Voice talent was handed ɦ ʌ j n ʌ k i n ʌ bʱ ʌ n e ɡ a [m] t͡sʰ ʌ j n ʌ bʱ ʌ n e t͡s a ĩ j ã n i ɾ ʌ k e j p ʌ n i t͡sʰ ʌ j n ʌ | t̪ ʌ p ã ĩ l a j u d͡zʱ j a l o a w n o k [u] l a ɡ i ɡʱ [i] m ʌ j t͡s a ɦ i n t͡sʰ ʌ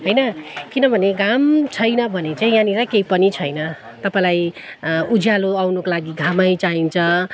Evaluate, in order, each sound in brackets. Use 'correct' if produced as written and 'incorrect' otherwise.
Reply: correct, incorrect: o, incorrect: a

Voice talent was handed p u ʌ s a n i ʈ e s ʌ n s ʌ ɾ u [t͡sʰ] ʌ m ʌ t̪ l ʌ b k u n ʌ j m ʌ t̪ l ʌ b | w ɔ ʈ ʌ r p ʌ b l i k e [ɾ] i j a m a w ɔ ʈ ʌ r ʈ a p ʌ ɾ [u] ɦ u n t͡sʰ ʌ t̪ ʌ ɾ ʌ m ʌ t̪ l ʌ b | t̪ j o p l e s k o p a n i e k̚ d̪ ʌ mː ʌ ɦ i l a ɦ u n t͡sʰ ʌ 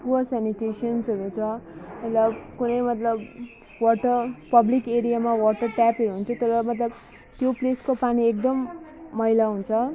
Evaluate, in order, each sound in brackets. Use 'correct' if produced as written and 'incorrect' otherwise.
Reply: correct, correct, correct

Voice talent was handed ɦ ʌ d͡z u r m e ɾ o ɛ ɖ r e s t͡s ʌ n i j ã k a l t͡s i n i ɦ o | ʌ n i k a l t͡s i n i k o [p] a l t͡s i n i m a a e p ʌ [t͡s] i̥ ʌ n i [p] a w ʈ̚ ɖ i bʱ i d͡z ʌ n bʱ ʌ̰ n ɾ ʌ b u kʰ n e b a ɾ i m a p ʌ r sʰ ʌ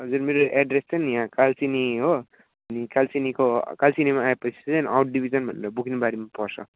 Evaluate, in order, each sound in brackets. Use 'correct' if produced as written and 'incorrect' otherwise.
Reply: incorrect: k, incorrect: t͡sʰ, incorrect: none

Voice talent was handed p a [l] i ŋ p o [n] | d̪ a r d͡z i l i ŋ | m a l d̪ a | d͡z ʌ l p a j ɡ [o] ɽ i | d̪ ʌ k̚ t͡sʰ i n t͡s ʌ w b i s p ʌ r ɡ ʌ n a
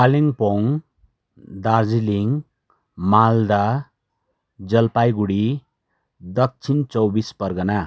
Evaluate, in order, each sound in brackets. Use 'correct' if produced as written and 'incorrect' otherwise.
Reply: correct, incorrect: ŋ, incorrect: u

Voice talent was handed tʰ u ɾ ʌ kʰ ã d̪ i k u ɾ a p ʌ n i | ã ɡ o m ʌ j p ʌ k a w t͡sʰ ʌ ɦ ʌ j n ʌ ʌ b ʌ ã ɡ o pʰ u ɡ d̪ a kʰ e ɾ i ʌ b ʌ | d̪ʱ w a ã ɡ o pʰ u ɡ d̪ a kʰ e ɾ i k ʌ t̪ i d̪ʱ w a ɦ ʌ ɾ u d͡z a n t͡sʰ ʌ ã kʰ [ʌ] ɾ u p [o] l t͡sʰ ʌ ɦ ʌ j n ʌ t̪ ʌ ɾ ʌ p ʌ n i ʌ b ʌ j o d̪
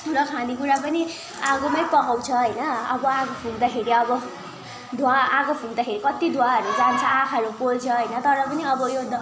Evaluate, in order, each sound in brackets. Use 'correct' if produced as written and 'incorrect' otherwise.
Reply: correct, correct

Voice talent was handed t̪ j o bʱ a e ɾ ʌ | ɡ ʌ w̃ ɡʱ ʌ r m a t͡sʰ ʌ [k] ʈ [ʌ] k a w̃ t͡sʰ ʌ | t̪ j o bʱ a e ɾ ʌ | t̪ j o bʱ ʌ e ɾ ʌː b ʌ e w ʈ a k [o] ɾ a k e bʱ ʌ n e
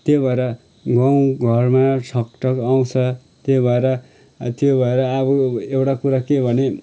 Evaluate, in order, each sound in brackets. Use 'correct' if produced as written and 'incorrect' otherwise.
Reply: correct, correct, incorrect: u

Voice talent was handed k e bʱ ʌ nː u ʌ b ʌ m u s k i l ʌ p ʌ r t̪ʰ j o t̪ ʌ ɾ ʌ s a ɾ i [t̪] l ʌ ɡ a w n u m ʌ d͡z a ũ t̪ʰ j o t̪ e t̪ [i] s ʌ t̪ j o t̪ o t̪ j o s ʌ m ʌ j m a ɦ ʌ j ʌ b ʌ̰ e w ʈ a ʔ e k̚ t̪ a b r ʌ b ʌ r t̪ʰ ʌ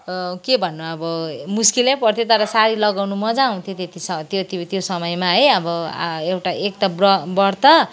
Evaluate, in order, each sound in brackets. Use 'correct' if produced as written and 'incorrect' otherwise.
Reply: incorrect: none, correct

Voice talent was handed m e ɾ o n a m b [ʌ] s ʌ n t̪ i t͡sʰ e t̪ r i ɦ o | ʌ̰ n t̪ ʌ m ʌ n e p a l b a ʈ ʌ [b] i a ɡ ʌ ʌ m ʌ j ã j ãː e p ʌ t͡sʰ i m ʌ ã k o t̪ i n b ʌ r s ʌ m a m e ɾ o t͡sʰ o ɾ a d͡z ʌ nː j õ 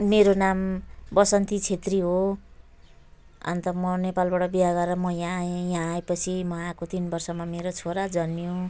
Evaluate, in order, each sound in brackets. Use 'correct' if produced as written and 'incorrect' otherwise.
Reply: correct, correct

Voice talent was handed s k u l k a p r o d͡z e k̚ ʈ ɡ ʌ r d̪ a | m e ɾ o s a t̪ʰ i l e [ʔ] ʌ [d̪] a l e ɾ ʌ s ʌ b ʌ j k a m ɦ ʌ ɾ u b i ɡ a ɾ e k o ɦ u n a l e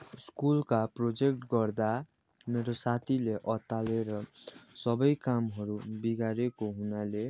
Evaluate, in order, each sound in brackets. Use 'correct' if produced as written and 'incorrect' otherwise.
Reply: correct, incorrect: t̪

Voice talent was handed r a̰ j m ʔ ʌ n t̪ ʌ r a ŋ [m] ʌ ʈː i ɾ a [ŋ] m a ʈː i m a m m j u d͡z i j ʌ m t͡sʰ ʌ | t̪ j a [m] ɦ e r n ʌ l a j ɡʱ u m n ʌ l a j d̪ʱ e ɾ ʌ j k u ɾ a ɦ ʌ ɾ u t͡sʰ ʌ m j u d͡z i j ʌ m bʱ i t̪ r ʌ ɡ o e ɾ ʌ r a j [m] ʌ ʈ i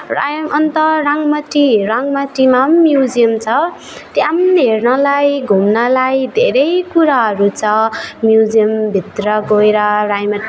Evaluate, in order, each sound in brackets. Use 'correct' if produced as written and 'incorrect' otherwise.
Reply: correct, correct, correct, correct

